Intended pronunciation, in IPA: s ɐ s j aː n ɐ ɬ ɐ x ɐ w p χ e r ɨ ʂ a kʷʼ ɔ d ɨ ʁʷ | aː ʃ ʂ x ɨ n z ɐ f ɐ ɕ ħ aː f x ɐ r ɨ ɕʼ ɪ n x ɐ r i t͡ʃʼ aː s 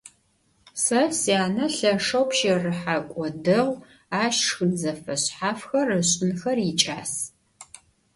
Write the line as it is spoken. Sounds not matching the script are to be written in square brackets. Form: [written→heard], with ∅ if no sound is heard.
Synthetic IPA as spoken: s ɐ s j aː n ɐ ɬ ɐ [x→ʂ] ɐ w p [χ→ʃ] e r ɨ [ʂ→ħ] a kʷʼ ɔ d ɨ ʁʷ | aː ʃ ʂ x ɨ n z ɐ f ɐ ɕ ħ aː f x ɐ r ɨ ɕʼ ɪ n x ɐ r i t͡ʃʼ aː s